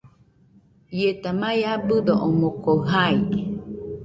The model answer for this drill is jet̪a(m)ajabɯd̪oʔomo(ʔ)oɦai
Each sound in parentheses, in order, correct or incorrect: correct, incorrect

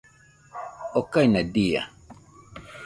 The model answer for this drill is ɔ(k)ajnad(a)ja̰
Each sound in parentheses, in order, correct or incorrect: correct, incorrect

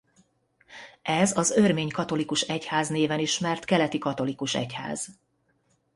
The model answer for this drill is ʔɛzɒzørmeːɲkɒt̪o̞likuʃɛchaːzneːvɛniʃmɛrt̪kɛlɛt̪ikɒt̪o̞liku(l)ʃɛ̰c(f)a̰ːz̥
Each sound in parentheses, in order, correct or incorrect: incorrect, incorrect

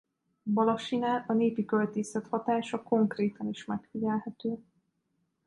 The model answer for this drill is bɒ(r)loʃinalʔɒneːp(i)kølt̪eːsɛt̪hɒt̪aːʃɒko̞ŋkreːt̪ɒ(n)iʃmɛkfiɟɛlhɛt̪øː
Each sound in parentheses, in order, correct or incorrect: incorrect, correct, correct

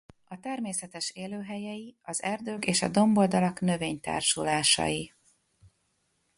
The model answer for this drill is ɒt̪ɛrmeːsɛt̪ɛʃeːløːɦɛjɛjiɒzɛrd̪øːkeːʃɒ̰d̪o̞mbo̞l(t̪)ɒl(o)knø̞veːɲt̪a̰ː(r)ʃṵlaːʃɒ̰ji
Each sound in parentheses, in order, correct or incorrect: incorrect, incorrect, correct

